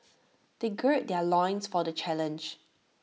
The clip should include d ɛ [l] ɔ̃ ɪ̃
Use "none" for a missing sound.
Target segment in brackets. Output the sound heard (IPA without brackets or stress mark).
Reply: l